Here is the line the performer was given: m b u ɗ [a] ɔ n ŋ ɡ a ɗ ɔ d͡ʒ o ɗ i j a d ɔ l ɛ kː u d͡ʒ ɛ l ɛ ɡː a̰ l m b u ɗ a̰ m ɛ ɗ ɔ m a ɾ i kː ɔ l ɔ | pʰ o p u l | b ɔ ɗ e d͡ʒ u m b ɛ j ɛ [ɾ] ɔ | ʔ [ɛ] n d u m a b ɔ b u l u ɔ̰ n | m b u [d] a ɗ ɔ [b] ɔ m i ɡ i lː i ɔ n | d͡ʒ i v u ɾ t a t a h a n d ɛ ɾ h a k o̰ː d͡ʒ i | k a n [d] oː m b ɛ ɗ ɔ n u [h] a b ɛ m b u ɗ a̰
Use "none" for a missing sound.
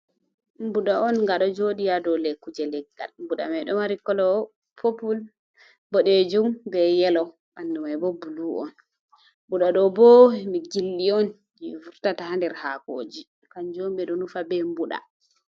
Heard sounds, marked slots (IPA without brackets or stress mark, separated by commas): a, l, a, ɗ, b, d͡ʒ, f